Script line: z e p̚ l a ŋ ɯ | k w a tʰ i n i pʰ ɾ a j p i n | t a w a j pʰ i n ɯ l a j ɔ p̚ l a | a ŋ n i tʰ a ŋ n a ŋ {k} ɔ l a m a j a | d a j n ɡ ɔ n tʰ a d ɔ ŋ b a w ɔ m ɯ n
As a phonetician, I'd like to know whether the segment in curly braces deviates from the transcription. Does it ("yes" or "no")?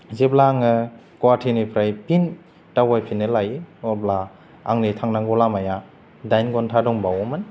yes